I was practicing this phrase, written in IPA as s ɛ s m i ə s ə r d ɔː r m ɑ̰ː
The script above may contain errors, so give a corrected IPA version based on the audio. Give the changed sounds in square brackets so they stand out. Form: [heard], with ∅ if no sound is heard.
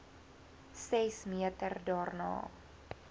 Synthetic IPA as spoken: s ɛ s m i ə [t] ə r d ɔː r [n] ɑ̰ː